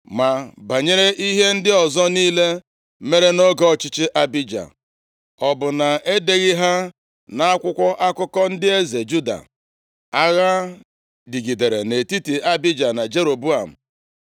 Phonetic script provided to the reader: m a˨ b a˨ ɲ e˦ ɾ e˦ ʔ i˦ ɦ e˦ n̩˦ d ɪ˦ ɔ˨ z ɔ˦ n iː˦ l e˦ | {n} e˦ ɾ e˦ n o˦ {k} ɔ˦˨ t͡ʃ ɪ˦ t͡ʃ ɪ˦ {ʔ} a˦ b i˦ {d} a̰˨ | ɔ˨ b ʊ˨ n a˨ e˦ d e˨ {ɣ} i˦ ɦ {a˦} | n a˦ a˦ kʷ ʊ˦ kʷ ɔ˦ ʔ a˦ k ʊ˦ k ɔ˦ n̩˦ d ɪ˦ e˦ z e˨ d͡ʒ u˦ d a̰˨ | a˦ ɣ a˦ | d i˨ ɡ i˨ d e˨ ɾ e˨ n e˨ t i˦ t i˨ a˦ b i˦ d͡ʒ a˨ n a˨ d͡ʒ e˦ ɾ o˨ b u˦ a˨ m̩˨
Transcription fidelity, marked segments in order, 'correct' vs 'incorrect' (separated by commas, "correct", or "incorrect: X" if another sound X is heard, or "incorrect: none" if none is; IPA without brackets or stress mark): incorrect: m, incorrect: ɡ, correct, incorrect: d͡ʒ, correct, correct